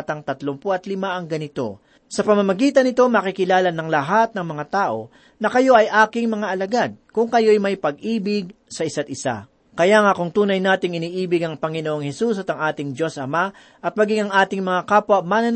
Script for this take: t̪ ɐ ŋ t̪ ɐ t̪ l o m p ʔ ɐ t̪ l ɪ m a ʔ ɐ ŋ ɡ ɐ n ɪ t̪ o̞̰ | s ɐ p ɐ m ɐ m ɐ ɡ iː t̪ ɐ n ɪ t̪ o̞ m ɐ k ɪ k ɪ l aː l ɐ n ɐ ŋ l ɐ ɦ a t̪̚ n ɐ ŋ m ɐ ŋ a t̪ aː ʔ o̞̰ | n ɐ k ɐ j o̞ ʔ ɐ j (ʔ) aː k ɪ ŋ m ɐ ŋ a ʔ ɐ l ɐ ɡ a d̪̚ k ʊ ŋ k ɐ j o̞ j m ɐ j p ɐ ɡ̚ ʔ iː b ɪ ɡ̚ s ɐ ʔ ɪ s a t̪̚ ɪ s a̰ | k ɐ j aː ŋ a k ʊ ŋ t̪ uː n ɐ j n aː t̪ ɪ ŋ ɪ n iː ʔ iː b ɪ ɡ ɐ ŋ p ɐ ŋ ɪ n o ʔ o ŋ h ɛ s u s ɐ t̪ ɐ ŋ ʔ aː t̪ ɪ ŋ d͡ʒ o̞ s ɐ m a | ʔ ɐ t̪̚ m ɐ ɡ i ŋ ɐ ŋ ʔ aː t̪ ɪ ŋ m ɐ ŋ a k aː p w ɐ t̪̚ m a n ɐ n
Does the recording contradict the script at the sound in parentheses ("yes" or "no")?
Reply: no